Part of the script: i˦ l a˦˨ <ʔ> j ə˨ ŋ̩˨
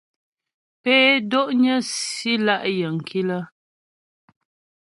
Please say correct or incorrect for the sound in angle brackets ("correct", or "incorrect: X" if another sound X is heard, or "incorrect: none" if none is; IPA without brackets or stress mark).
correct